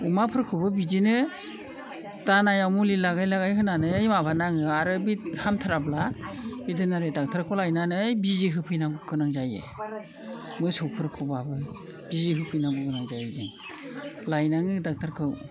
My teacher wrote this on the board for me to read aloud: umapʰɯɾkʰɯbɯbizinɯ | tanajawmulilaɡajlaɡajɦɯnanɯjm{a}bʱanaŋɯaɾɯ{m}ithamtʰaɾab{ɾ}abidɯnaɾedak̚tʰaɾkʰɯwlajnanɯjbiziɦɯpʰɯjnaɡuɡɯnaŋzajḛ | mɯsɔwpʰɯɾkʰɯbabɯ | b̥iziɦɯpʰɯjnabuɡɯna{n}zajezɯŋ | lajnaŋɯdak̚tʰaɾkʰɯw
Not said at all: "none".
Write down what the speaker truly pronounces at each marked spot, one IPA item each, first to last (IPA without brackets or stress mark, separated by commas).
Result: a, b, l, ŋ